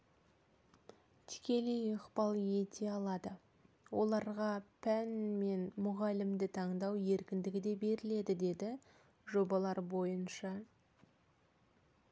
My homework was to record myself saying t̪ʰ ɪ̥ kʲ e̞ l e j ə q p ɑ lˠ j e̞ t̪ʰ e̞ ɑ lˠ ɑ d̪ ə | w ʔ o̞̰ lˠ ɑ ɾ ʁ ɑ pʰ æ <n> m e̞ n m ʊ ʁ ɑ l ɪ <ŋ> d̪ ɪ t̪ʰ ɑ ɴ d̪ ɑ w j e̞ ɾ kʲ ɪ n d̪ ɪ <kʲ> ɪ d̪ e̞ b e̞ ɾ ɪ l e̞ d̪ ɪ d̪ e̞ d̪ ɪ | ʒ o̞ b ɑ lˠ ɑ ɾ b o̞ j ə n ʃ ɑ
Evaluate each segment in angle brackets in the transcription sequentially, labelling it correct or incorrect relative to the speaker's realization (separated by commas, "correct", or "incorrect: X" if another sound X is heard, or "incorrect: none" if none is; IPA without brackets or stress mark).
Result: correct, incorrect: m, incorrect: ɡʲ